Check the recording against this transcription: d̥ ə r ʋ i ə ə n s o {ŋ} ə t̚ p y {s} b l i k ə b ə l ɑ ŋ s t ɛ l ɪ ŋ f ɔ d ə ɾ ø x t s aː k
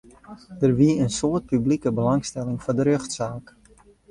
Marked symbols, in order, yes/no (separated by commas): no, no